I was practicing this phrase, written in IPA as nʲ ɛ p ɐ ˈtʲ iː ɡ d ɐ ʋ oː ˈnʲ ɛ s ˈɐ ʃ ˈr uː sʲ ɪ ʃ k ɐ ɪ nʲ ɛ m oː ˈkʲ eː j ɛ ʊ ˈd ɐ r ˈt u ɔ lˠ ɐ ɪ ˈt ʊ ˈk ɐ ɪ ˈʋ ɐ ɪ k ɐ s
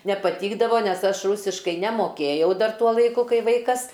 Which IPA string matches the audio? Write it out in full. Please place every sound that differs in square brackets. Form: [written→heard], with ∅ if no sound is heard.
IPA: nʲ ɛ p ɐ ˈtʲ iː ɡ d ɐ ʋ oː ˈnʲ ɛ s ˈɐ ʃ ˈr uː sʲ ɪ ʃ k ɐ ɪ nʲ ɛ m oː ˈkʲ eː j ɛ ʊ ˈd ɐ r ˈt u ɔ lˠ ɐ ɪ [ˈt→ˈk] ʊ ˈk ɐ ɪ ˈʋ ɐ ɪ k ɐ s